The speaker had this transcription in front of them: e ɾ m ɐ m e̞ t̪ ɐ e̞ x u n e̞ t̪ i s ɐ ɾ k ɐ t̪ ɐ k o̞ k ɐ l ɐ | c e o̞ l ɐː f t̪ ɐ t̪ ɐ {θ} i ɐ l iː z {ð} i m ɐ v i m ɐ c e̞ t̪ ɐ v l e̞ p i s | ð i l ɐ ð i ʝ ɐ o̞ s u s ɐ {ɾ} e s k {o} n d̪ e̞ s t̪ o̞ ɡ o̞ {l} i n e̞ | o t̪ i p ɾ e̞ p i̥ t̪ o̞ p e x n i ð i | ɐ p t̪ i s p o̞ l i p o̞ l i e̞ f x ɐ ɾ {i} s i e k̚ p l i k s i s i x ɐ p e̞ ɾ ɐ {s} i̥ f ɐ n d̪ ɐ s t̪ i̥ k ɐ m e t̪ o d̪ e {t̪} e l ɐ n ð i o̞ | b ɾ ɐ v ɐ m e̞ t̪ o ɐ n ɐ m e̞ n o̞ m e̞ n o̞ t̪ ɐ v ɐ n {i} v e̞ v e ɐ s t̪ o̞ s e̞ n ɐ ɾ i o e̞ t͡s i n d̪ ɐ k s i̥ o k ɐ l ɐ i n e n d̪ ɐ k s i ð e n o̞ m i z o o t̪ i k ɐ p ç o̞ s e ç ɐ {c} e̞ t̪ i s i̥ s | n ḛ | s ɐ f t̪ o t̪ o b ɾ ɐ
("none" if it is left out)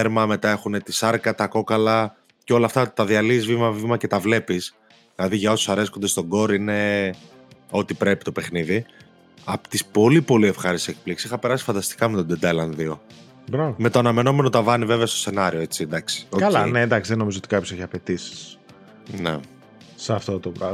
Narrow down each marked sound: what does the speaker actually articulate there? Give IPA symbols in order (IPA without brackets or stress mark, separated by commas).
ð, v, ɾ, o, ɾ, i, s, d̪, i, p